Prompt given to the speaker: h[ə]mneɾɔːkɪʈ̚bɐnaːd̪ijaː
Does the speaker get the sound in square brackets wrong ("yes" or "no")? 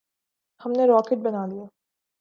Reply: yes